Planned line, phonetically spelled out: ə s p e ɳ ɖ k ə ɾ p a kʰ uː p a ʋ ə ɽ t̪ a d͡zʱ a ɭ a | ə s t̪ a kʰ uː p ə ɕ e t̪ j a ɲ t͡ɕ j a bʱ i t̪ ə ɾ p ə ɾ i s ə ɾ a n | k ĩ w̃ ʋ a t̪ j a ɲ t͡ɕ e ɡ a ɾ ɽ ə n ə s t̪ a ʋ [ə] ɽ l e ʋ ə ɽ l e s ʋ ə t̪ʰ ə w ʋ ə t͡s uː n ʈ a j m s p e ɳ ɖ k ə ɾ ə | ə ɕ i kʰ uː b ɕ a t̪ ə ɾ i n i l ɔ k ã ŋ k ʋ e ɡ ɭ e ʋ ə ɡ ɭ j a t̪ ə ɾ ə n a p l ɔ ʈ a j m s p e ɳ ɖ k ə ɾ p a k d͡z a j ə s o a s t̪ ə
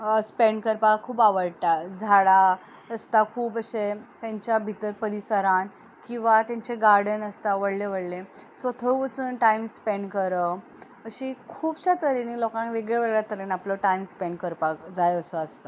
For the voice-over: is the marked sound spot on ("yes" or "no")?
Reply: yes